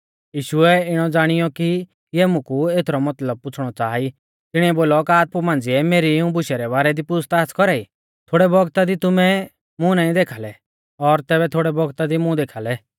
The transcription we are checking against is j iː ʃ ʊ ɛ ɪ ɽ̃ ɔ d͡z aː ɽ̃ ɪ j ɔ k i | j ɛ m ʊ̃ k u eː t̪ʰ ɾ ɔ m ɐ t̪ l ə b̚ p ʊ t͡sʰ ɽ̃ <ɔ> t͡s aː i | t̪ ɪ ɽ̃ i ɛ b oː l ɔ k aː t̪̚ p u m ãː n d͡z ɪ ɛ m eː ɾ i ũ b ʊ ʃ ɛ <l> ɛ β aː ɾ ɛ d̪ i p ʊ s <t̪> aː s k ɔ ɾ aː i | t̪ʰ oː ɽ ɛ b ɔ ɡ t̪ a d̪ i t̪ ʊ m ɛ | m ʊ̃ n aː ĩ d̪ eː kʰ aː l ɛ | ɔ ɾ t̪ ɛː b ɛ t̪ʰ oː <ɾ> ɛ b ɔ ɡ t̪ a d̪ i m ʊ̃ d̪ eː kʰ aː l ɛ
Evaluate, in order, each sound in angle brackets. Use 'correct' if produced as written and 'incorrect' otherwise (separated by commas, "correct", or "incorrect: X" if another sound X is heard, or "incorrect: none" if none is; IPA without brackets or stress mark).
correct, incorrect: ɾ, correct, incorrect: ɽ